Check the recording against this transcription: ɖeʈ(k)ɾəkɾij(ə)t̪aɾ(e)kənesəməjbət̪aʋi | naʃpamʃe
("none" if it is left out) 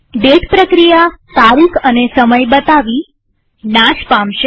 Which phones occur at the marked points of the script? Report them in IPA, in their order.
p, a, i

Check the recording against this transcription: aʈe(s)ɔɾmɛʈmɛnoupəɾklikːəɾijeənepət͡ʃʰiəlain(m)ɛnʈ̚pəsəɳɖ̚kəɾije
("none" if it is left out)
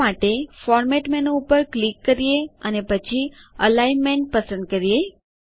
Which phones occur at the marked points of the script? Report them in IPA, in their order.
f, m

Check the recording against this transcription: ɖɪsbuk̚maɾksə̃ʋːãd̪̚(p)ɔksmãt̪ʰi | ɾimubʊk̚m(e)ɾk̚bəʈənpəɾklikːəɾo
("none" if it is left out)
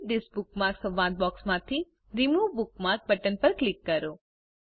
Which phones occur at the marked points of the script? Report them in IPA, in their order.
b, a

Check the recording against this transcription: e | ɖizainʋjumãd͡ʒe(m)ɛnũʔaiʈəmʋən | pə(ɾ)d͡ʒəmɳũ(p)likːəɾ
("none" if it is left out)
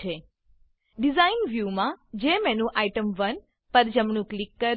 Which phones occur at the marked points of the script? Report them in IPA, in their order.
m, ɾ, k

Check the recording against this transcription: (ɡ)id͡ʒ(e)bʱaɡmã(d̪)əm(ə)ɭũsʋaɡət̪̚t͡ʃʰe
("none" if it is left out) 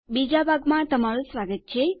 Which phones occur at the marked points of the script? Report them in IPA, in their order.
b, a, t̪, a

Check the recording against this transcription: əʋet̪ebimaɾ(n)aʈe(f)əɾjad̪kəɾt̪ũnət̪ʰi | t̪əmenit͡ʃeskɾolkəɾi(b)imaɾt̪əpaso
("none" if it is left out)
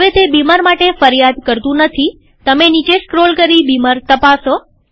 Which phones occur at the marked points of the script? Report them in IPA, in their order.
m, f, b

